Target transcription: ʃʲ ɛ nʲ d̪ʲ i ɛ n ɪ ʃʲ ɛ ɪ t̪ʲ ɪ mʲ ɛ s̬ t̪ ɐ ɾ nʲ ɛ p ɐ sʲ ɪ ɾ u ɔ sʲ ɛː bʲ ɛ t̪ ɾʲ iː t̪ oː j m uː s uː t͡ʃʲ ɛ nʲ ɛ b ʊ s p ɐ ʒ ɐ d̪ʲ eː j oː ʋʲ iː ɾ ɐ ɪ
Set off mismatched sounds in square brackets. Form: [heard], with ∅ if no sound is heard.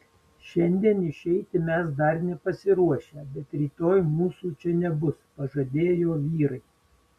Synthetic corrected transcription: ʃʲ ɛ nʲ d̪ʲ i ɛ n ɪ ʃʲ ɛ ɪ t̪ʲ ɪ mʲ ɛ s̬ [d̪] ɐ ɾ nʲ ɛ p ɐ sʲ ɪ ɾ u ɔ [ʃʲ] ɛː bʲ ɛ t̪ ɾʲ iː t̪ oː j m uː s uː t͡ʃʲ ɛ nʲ ɛ b ʊ s p ɐ ʒ ɐ d̪ʲ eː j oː ʋʲ iː ɾ ɐ ɪ